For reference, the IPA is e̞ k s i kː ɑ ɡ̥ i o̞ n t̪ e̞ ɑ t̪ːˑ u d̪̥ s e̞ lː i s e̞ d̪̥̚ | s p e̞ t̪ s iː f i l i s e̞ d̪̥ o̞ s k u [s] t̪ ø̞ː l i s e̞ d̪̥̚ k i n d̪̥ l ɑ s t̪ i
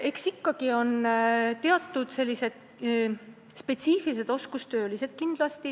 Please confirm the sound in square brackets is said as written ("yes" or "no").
yes